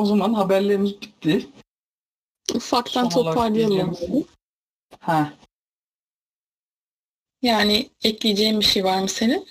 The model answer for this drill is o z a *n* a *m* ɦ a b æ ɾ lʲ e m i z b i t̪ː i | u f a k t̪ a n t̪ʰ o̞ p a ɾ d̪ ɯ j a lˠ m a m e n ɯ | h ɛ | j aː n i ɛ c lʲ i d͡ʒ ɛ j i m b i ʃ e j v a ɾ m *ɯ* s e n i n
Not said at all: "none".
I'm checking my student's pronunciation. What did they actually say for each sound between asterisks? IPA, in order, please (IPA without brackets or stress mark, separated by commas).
m, n, ɯ